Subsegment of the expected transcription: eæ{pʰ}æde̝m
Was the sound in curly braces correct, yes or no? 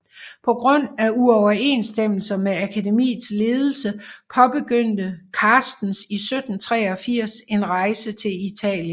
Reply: no